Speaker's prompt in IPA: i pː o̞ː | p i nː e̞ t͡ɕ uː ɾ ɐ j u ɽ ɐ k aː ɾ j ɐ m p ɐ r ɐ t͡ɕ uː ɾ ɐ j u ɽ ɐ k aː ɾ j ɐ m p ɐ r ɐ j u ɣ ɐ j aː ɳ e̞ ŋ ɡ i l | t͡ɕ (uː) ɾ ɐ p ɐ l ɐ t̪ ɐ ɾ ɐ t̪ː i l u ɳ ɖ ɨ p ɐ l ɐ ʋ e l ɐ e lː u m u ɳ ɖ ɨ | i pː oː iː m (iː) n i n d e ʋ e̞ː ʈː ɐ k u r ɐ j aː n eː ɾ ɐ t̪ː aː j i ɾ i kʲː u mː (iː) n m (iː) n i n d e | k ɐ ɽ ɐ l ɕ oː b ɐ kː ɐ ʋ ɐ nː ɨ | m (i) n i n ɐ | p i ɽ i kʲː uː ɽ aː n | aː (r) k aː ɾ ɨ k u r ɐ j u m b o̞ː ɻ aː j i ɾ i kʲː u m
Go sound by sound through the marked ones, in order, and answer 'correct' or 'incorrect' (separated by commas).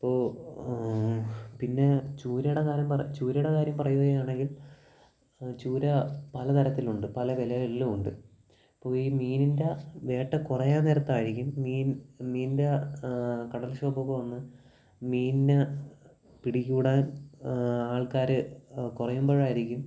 correct, correct, correct, correct, incorrect, incorrect